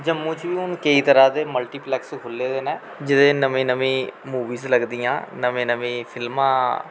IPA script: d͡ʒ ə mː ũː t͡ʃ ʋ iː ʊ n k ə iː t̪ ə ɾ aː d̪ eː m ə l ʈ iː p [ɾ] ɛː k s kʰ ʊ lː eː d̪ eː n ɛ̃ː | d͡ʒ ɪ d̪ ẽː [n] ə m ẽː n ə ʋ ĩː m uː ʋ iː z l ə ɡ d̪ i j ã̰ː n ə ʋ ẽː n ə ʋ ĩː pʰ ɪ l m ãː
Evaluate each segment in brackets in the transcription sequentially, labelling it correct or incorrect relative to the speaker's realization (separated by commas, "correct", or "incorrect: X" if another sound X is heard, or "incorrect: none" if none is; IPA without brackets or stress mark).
incorrect: l, correct